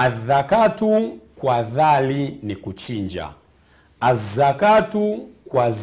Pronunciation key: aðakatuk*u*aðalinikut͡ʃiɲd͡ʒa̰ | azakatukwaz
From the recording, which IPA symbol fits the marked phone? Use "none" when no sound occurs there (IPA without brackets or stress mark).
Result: w